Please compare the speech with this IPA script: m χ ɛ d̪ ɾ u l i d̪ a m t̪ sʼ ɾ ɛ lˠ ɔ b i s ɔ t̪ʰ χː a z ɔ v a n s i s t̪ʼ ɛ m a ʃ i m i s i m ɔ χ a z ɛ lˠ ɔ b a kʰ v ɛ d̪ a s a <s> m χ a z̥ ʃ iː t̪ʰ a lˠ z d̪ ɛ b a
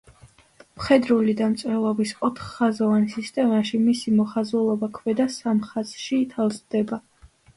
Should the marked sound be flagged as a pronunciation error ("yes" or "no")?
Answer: yes